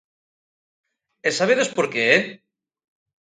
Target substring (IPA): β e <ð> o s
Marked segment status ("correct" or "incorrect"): correct